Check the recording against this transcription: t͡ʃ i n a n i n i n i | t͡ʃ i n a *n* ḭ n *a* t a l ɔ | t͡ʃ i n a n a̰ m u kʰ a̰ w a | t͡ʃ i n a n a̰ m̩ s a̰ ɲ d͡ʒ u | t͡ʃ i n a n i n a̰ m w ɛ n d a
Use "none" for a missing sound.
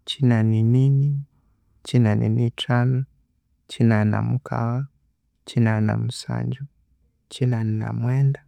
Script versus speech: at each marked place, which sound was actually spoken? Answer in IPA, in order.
n, i

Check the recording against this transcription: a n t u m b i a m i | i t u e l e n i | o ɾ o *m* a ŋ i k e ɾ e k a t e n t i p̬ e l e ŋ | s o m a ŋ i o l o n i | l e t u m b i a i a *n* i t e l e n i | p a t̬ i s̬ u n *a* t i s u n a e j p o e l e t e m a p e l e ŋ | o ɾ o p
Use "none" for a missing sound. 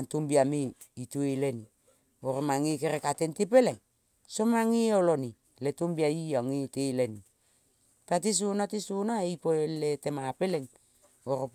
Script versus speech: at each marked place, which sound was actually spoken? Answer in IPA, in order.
m, ŋ, a

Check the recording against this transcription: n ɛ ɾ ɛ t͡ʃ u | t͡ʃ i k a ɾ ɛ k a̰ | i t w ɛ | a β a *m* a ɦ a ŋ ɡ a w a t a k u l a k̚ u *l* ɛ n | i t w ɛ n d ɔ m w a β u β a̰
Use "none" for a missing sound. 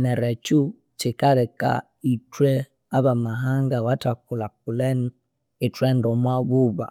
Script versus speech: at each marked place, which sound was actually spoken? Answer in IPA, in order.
m, l

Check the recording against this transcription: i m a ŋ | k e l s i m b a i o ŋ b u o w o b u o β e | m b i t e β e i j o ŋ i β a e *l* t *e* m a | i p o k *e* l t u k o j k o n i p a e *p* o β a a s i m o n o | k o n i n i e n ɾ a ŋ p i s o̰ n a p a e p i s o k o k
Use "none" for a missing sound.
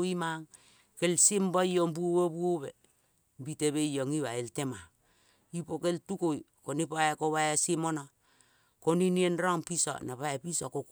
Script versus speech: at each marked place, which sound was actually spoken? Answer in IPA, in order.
l, e, e, k

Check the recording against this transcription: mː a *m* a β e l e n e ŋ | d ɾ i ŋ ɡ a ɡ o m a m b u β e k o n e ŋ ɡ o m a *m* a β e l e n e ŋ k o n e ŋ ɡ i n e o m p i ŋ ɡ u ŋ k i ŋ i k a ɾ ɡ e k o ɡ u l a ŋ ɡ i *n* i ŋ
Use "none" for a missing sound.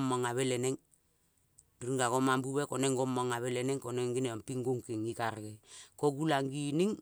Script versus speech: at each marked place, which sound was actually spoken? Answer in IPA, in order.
ŋ, ŋ, n

